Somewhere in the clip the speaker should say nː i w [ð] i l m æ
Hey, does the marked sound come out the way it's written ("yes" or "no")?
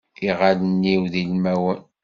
yes